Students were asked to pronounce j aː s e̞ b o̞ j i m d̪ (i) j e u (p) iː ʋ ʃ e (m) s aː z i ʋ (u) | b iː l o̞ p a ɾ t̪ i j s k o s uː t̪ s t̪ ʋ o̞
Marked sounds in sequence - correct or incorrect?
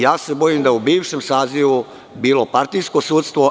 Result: incorrect: a, incorrect: b, correct, correct

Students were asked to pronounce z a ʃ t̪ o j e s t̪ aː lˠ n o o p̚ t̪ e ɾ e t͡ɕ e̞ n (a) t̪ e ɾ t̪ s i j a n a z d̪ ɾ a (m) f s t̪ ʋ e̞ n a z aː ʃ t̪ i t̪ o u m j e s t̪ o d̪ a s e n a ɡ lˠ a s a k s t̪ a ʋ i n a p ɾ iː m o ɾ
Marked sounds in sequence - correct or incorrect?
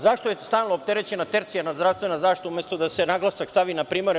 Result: correct, incorrect: none

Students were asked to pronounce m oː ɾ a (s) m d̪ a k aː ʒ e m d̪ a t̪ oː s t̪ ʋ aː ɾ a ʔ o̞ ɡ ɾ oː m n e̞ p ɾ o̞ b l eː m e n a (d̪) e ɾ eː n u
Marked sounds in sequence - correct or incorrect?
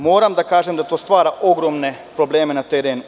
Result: incorrect: none, incorrect: t̪

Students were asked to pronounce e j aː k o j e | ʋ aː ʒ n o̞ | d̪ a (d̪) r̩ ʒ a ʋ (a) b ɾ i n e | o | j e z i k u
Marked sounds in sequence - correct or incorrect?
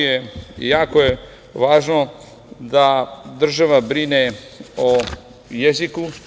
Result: correct, correct

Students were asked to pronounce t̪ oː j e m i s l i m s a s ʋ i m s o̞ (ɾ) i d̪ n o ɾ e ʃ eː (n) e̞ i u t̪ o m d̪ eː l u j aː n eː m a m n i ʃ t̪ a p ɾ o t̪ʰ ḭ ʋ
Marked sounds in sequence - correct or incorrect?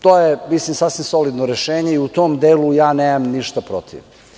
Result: incorrect: l, incorrect: ɲ

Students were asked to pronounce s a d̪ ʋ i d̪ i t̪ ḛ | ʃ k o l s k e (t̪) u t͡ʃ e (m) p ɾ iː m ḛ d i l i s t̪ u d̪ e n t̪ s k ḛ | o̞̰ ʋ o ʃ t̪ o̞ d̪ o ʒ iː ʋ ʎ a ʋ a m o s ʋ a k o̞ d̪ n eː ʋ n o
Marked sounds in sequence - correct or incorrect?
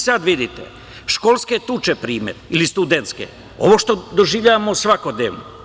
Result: correct, incorrect: none

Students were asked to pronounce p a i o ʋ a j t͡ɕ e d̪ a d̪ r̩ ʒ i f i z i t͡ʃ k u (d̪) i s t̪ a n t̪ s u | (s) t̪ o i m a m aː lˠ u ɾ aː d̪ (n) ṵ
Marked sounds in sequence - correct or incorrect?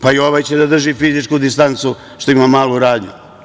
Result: correct, incorrect: ʃ, incorrect: ɲ

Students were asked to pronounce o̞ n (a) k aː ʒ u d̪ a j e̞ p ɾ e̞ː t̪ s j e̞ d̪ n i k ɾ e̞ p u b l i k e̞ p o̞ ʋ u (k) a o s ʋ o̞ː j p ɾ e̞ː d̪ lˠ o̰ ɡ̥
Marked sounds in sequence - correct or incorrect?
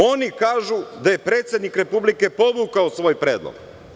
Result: incorrect: i, correct

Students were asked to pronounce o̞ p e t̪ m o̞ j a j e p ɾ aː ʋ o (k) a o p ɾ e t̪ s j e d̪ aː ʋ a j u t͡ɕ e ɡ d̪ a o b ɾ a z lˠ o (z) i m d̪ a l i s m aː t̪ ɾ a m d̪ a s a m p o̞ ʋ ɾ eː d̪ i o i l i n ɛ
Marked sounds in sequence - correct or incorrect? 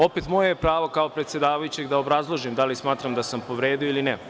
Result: correct, incorrect: ʒ

